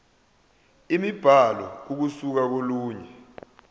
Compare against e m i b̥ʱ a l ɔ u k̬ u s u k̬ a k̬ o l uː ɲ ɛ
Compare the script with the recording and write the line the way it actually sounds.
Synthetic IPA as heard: i m i b̥ʱ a l ɔ u k̬ u s u k̬ a k̬ o l uː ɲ ɛ